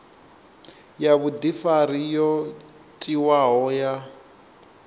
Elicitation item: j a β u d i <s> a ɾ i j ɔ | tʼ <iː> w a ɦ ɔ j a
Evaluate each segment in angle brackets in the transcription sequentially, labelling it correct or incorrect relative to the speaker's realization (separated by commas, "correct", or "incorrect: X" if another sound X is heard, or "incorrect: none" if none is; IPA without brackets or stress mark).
incorrect: f, incorrect: i